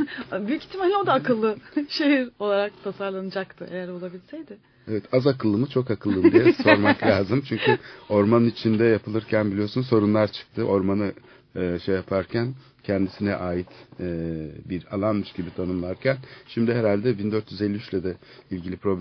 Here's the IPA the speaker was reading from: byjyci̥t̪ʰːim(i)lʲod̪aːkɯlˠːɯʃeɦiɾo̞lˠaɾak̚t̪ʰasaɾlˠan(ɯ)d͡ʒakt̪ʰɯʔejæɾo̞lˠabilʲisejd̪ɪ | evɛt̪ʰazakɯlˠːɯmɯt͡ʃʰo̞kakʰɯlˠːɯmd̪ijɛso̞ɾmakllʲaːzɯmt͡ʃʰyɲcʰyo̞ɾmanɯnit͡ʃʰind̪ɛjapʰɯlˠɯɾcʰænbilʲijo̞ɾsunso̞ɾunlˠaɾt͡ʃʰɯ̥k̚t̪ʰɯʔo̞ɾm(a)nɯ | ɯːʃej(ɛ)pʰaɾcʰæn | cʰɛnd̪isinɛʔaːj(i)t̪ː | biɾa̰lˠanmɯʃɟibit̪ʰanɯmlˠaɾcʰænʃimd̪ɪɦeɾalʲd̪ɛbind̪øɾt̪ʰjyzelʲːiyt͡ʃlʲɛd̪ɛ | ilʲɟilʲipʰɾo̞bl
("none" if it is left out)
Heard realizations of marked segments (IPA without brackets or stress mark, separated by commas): a, ɯ, a, a, i